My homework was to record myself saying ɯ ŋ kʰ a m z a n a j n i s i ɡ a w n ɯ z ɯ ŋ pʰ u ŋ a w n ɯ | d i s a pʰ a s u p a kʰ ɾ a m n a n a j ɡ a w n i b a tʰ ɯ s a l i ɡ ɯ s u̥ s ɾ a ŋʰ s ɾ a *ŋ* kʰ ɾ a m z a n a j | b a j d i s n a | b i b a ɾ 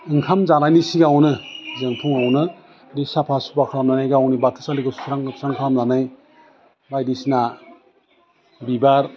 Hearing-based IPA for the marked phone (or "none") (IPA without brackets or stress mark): ŋ